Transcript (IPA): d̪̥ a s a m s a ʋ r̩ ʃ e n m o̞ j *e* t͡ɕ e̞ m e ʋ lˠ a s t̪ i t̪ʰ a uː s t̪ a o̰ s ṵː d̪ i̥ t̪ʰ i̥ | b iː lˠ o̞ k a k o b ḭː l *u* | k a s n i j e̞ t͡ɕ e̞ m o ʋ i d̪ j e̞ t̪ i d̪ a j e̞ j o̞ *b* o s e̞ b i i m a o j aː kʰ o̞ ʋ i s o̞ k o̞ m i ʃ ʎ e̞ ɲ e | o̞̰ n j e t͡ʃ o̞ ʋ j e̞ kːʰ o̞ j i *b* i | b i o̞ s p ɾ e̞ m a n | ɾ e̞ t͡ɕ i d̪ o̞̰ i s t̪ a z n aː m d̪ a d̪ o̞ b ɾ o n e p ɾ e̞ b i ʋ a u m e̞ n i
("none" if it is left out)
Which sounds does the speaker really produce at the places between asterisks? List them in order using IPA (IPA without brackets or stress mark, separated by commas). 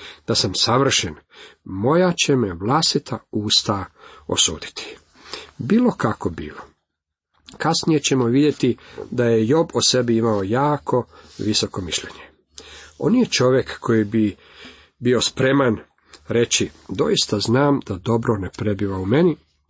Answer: a, o, b, b